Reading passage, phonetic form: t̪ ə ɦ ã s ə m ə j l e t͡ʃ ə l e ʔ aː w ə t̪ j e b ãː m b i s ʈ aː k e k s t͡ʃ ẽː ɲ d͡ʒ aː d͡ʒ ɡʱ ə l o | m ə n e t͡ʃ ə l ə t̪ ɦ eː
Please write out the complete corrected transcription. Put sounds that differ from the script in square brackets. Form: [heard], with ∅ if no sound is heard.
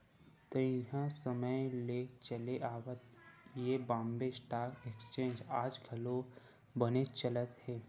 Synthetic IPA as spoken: t̪ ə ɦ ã s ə m ə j l e t͡ʃ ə l e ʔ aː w ə t̪ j e b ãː m b [e] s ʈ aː k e k s t͡ʃ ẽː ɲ d͡ʒ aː d͡ʒ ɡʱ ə l o | [b] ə n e t͡ʃ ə l ə t̪ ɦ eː